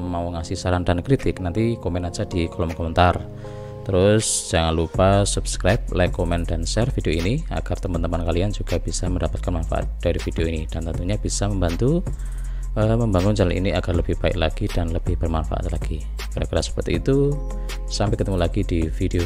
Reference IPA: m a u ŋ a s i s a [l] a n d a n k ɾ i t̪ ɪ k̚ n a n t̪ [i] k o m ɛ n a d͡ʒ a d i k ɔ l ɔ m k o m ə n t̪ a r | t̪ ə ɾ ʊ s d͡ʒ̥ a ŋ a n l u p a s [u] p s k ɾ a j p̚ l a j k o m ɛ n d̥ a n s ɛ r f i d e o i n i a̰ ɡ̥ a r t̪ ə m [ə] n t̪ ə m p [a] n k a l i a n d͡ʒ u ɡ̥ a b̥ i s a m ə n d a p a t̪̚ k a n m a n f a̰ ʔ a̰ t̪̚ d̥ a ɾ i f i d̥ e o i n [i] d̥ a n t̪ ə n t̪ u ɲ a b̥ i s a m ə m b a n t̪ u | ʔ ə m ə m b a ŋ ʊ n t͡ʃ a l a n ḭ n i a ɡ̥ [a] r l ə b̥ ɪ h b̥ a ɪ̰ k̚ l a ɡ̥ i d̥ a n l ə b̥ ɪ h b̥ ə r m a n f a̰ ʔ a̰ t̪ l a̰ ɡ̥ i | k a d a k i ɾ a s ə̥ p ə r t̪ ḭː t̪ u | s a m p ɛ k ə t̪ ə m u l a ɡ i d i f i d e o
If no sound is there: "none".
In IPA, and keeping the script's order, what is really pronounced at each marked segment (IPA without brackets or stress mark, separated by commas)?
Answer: ɾ, i, u, a, a, i, a